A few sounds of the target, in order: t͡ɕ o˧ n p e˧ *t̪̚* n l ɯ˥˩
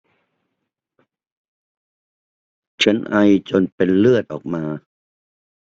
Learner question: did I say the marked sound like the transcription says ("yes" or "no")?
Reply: no